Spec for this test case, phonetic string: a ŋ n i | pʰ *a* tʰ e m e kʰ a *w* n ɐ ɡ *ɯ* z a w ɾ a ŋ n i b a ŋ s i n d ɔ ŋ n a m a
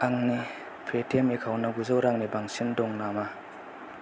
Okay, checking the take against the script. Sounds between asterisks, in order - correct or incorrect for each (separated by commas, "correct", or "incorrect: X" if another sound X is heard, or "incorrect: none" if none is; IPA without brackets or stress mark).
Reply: incorrect: e, correct, incorrect: u